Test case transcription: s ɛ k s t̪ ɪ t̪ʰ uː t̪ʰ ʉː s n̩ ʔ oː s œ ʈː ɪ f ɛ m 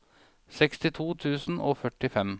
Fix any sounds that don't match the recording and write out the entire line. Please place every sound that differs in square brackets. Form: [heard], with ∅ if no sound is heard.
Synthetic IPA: s ɛ k s t̪ ɪ t̪ʰ uː t̪ʰ ʉː s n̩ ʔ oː [f] œ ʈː ɪ f ɛ m

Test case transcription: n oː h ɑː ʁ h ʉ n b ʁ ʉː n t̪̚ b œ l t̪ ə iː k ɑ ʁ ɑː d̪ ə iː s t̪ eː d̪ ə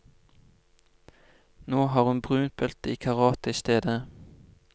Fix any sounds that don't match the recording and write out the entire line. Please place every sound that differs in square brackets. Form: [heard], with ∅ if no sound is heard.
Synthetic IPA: n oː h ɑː ʁ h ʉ n b ʁ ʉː n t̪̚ b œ l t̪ ə iː [kʰ] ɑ ʁ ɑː [t̪] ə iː s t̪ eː d̪ ə

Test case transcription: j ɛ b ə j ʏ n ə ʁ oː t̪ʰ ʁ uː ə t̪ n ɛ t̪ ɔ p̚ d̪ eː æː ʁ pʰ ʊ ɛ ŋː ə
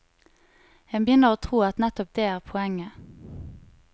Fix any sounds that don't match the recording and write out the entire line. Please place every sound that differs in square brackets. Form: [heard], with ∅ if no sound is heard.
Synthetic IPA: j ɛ b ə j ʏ n ə ʁ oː t̪ʰ ʁ uː [ɑ] t̪ n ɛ t̪ ɔ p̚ d̪ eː æː ʁ pʰ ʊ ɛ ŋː ə

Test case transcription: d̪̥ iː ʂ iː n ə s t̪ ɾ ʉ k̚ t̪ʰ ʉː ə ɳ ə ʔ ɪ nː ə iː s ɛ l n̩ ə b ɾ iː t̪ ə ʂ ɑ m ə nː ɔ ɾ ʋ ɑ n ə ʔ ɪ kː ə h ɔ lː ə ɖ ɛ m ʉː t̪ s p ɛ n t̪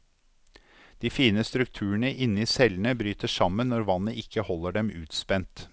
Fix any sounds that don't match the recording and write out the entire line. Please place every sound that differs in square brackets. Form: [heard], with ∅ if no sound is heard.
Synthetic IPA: d̪̥ iː [f] iː n ə s t̪ ɾ ʉ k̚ t̪ʰ ʉː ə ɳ ə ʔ ɪ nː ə iː s ɛ l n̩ ə b ɾ [yː] t̪ ə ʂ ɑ m ə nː ɔ ɾ ʋ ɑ n ə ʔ ɪ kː ə h ɔ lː ə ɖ ɛ m ʉː t̪ s p ɛ n t̪

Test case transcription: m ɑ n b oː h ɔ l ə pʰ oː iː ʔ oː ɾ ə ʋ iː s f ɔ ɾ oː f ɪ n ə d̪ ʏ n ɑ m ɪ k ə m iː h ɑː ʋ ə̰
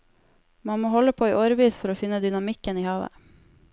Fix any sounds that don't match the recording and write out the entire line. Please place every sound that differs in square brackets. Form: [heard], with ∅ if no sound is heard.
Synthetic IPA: m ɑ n [m] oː h ɔ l ə pʰ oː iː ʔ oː ɾ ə ʋ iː s f ɔ ɾ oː f ɪ n ə d̪ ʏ n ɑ m ɪ k ə [n] iː h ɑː ʋ ə̰

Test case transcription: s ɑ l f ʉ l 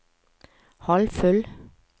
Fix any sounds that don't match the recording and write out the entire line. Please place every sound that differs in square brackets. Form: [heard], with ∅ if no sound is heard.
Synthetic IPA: [h] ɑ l f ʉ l

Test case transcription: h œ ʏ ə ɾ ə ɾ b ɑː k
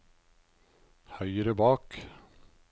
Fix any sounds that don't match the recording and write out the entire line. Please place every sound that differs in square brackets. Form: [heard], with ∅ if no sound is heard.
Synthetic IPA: h œ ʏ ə ɾ ə [∅] b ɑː k

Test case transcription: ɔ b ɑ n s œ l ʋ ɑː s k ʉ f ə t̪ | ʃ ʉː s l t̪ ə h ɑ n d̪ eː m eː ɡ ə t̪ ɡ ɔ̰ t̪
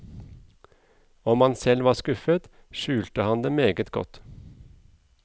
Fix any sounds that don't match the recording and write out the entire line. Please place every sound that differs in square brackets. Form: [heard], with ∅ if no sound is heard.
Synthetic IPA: ɔ [m] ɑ n s [ɛ] l ʋ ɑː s k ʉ f ə t̪ | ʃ ʉː [∅] l t̪ ə h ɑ n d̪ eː m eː ɡ ə t̪ ɡ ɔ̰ t̪

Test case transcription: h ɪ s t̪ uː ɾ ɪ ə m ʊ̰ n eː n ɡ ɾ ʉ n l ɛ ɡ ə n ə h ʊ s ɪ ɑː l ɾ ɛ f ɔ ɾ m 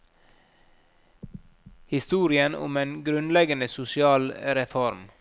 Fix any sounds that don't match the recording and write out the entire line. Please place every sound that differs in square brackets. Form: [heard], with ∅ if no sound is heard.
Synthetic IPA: h ɪ s t̪ uː ɾ ɪ ə [n] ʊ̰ [m] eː n ɡ ɾ ʉ n l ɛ ɡ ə n ə [s] ʊ s ɪ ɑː l ɾ ɛ f ɔ ɾ m

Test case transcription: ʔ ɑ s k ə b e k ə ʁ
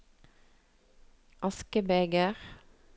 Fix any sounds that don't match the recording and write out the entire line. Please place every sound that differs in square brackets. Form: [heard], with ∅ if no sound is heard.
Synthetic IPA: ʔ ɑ s k ə b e [ɡ] ə ʁ

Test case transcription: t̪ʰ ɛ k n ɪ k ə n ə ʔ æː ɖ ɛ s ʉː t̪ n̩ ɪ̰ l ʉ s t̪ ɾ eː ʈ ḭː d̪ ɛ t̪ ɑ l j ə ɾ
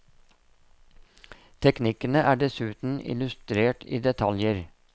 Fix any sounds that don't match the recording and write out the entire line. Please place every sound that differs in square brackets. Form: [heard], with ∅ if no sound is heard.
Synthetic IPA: t̪ʰ ɛ k n ɪ k ə n ə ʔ æː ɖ ɛ s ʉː t̪ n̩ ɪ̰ l ʉ s t̪ ɾ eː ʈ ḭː d̪ ɛ [t̪ʰ] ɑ l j ə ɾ

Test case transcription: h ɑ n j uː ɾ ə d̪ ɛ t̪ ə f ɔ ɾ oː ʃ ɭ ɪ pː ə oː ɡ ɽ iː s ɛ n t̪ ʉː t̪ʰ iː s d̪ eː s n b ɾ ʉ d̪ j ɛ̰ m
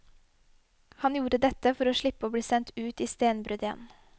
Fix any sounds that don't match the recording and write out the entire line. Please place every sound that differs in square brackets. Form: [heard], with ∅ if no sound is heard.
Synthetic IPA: h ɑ n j uː ɾ ə d̪ ɛ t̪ ə f ɔ ɾ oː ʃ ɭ ɪ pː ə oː [b] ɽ iː s ɛ n t̪ ʉː [t̪] iː s [t̪] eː [∅] n b ɾ ʉ d̪ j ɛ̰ [n]

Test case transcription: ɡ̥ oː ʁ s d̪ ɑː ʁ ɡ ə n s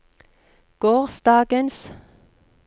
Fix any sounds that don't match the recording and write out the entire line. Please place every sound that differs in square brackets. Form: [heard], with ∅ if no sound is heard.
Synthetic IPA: ɡ̥ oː ʁ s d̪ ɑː [∅] ɡ ə n s

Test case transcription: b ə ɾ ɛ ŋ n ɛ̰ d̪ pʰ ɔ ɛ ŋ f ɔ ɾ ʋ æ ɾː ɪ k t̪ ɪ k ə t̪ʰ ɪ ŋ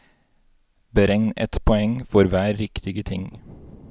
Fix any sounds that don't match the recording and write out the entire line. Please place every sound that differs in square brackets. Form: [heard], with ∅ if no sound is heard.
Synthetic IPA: b ə ɾ ɛ ŋ n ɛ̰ [t̪] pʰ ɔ ɛ ŋ f ɔ ɾ ʋ [æː] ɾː ɪ k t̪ ɪ [ɡ] ə t̪ʰ ɪ ŋ

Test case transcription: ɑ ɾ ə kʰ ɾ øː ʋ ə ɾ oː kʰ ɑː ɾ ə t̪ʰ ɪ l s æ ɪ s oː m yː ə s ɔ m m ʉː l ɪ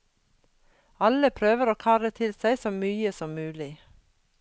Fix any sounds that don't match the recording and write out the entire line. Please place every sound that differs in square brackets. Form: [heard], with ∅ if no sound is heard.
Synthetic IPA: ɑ [l] ə [pʰ] ɾ øː ʋ ə ɾ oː kʰ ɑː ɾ ə t̪ʰ ɪ l s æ ɪ s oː m yː ə s ɔ m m ʉː l ɪ

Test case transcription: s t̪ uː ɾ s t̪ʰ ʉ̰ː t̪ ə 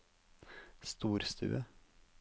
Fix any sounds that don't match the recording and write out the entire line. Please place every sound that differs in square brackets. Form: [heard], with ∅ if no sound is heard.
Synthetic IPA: s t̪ uː ɾ s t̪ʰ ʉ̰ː [∅] ə

